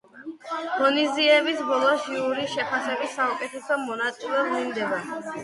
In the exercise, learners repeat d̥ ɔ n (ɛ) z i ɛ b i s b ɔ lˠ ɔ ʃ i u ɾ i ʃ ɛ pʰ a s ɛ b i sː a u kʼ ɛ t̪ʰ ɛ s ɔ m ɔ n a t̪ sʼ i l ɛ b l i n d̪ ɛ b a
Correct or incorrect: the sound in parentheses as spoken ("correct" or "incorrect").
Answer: incorrect